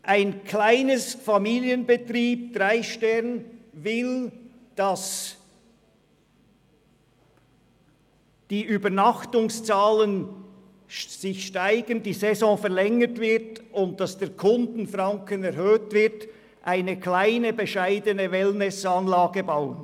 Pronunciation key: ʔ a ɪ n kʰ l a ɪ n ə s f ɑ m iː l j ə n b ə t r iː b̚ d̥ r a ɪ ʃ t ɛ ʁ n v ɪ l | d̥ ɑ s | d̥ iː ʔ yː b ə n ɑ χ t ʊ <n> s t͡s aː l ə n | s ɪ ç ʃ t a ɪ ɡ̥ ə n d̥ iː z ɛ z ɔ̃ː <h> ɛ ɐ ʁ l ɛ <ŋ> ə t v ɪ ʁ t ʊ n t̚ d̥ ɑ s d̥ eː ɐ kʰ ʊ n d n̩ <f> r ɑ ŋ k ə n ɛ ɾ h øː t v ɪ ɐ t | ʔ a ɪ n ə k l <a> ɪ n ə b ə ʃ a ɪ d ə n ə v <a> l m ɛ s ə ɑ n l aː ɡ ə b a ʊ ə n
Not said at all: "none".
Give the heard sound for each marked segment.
ŋ, f, ŋ, f, a, ɛ

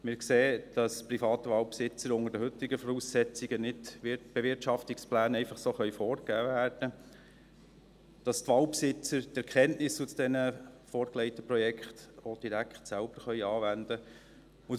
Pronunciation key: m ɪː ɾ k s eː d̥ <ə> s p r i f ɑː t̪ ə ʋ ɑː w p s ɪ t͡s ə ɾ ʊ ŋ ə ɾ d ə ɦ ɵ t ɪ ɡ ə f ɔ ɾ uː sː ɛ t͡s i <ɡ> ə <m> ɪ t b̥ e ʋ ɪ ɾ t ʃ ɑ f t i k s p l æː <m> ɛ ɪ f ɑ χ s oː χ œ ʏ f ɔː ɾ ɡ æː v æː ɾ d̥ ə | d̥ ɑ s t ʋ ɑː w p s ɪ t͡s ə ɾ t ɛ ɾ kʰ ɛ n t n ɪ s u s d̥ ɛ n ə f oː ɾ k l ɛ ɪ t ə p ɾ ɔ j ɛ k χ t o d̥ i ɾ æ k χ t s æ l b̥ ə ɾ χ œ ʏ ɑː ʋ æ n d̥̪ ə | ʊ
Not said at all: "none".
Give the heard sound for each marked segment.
ɑ, ɡ, n, n

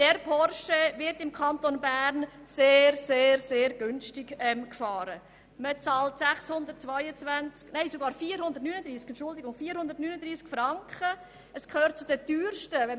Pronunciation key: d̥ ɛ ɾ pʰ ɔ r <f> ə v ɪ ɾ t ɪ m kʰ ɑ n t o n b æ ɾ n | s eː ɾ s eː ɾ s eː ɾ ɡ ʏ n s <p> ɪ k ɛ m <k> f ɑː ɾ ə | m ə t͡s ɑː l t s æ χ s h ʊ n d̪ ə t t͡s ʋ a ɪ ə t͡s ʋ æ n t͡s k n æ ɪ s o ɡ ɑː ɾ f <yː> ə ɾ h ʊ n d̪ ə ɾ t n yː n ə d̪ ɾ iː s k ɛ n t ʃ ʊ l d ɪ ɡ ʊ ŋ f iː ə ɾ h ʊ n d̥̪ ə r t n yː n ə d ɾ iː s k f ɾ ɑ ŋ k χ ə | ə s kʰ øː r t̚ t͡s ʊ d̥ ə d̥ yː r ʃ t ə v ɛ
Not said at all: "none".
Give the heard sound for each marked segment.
ʃ, t, k, iː

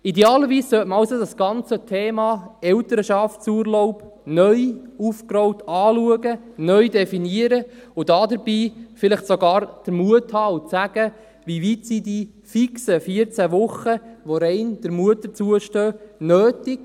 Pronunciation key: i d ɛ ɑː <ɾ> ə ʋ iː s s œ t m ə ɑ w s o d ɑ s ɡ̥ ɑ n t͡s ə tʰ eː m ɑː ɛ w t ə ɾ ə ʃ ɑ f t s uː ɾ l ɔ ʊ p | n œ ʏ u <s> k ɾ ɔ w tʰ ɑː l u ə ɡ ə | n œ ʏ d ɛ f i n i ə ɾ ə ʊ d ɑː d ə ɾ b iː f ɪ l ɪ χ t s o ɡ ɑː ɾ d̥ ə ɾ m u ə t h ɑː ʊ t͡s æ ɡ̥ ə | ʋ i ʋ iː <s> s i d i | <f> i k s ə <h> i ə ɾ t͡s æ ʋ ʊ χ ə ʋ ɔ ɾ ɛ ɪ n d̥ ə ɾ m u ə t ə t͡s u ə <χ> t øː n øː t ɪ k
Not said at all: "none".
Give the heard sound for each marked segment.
l, f, t, f, f, ʃ

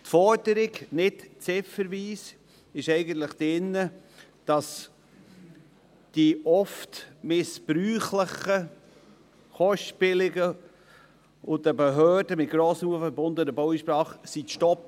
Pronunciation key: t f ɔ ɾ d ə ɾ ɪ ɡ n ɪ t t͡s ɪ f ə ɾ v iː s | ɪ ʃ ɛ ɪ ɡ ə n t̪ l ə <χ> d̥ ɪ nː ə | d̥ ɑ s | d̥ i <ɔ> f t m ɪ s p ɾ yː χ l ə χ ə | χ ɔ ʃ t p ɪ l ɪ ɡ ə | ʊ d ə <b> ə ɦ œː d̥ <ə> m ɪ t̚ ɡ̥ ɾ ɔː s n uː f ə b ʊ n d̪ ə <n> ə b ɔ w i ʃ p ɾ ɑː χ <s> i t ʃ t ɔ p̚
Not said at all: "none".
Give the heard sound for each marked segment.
χ, ɔ, b, ə, n, s

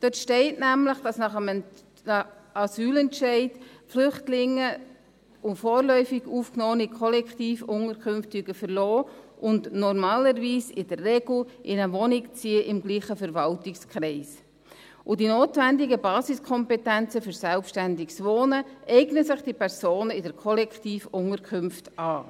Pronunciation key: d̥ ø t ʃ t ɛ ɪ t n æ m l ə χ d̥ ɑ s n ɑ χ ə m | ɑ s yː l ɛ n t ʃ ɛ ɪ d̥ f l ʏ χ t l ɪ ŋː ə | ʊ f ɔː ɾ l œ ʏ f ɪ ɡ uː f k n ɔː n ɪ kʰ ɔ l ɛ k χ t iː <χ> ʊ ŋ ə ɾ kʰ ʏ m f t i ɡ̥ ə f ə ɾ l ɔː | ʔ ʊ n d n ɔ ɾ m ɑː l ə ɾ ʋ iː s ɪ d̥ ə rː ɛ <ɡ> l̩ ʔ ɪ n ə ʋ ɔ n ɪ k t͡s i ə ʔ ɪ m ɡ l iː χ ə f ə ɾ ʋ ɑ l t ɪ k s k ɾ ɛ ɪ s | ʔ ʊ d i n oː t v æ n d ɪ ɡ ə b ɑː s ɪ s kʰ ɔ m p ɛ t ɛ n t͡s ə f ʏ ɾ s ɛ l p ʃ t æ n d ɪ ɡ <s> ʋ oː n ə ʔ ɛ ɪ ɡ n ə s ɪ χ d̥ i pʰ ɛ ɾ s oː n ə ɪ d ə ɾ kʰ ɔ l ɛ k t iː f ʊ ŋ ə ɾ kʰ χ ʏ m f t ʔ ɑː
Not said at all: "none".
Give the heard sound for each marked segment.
f, ɡ, s

